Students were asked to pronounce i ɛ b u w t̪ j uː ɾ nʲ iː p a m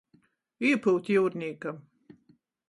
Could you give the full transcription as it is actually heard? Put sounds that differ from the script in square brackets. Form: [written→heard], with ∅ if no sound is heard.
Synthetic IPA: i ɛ [b→p] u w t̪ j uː ɾ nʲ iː [p→k] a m